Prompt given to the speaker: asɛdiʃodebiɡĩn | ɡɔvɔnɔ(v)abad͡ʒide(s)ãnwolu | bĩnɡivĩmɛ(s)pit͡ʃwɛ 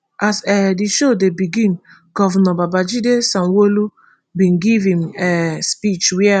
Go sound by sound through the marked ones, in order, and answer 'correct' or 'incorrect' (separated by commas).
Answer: incorrect, correct, correct